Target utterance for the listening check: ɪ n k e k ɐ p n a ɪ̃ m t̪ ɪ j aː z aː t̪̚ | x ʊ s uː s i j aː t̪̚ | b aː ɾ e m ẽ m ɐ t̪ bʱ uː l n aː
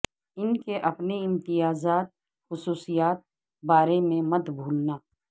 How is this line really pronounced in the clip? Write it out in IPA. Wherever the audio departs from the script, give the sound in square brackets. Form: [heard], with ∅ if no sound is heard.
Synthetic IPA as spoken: ɪ n k e [ʔ] ɐ p n [e] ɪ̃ m t̪ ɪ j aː z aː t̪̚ | x ʊ s uː s i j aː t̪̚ | b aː ɾ e m ẽ m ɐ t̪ bʱ uː l n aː